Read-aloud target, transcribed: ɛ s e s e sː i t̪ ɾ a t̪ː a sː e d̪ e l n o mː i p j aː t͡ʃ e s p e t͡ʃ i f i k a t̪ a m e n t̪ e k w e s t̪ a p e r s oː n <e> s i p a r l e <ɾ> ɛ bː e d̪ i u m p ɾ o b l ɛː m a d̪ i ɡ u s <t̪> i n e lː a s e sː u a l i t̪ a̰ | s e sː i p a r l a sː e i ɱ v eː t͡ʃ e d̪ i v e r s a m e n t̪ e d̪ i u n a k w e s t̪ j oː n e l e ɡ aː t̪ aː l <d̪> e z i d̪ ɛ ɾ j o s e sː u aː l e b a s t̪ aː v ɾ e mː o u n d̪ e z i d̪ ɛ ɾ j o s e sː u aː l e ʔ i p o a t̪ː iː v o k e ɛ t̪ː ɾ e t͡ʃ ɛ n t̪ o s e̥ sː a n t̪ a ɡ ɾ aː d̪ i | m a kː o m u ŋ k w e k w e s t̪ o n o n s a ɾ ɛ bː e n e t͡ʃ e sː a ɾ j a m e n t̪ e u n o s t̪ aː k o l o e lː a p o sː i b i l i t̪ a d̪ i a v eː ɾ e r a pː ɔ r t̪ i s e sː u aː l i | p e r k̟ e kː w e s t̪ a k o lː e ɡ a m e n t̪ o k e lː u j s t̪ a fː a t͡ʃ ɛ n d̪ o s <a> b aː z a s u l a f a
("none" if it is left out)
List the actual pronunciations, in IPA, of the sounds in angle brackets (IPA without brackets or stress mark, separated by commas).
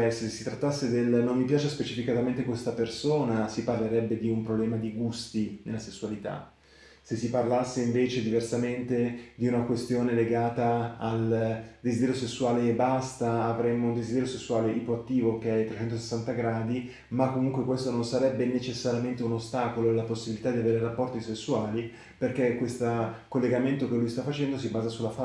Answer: a, ɾ, t̪, d̪, i